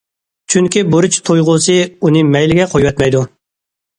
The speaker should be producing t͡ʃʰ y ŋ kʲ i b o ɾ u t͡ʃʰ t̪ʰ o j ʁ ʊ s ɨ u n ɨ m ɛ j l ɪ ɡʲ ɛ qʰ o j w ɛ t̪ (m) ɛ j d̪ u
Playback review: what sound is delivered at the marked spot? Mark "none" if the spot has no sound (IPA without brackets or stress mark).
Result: m